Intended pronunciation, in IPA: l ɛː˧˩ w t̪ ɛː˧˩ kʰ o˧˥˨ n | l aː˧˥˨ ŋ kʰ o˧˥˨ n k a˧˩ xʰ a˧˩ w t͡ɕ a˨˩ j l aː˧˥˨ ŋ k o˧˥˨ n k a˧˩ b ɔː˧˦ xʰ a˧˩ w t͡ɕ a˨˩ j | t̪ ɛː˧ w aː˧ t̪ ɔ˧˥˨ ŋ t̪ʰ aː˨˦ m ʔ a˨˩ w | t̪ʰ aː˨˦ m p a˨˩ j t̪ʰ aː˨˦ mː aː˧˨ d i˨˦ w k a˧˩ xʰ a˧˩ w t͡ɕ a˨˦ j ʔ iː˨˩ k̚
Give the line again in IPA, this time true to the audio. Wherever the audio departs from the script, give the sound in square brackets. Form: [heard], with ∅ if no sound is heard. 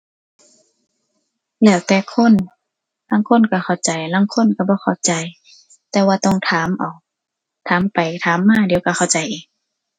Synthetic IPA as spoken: l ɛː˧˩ w t̪ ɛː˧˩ kʰ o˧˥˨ n | l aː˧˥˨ ŋ kʰ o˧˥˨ n k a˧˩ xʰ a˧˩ w t͡ɕ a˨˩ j l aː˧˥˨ ŋ [kʰ] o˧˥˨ n k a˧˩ b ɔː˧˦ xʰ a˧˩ w t͡ɕ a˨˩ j | t̪ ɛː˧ w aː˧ t̪ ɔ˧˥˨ ŋ t̪ʰ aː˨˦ m ʔ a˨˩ w | t̪ʰ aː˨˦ m p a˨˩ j t̪ʰ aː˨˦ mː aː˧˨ d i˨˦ w k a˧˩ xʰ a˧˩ w t͡ɕ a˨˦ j ʔ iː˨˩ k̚